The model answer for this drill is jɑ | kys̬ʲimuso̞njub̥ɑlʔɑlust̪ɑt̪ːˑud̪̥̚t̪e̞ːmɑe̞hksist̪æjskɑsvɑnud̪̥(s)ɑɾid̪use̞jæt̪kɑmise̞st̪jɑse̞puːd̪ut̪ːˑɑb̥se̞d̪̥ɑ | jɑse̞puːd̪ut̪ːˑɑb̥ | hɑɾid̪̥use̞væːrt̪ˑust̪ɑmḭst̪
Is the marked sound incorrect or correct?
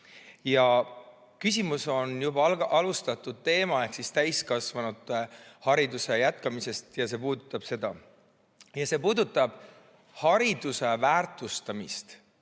incorrect: h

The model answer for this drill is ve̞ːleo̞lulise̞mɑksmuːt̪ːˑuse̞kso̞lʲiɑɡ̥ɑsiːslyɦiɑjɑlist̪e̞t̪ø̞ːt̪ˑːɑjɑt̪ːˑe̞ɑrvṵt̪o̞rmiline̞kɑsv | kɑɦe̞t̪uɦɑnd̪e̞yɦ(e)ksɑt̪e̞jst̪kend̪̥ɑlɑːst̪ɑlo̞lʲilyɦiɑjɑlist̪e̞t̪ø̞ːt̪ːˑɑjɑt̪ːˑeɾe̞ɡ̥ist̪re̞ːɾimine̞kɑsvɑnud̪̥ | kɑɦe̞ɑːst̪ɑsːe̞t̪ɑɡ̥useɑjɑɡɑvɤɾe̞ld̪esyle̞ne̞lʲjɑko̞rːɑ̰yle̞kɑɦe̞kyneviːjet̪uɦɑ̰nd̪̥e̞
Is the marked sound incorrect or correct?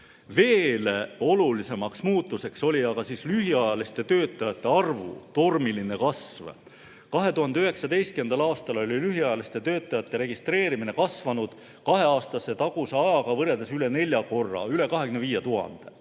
correct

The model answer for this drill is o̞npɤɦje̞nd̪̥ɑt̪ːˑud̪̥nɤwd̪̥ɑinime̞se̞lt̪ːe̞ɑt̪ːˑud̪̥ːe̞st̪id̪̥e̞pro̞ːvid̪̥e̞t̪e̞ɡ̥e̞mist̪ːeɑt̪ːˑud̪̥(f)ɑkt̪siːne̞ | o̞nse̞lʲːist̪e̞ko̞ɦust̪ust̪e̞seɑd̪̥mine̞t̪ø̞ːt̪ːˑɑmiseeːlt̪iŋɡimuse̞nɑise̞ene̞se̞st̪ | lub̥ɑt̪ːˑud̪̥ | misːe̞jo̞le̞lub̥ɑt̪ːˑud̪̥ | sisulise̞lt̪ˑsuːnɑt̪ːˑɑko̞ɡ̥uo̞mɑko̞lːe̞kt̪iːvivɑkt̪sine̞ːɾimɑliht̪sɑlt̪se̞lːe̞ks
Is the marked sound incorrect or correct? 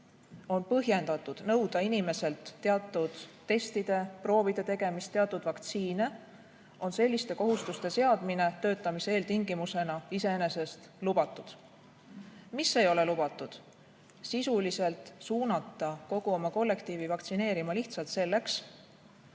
incorrect: v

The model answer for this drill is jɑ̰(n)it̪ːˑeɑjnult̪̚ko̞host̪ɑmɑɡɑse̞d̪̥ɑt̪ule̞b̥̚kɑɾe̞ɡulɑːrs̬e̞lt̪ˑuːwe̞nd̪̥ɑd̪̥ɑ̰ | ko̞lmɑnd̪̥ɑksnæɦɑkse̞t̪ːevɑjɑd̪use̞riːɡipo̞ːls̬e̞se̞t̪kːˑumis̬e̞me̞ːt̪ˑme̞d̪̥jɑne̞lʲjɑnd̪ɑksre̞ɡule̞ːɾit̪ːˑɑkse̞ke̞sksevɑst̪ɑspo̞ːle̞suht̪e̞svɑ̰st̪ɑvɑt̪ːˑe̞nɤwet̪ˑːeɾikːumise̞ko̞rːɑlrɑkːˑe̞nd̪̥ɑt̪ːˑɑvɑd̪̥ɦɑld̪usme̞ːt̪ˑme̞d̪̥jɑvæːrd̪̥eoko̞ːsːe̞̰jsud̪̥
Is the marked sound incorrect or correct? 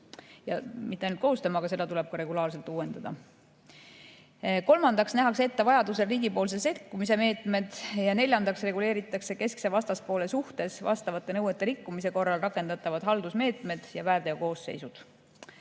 incorrect: m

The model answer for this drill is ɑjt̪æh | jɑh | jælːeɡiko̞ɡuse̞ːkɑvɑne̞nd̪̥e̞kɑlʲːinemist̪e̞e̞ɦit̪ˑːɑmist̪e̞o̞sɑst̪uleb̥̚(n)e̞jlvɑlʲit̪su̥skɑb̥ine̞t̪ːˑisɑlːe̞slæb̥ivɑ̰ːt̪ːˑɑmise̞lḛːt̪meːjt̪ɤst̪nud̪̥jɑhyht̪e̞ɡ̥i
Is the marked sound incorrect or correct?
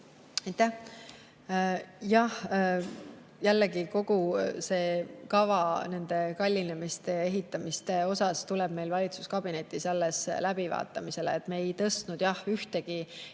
incorrect: m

